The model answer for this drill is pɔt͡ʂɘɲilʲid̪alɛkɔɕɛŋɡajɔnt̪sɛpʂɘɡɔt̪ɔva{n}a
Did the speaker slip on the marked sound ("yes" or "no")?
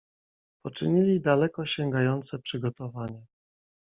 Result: yes